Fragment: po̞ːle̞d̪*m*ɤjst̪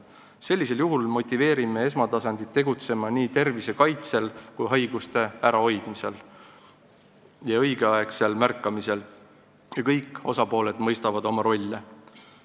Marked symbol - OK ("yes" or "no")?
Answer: yes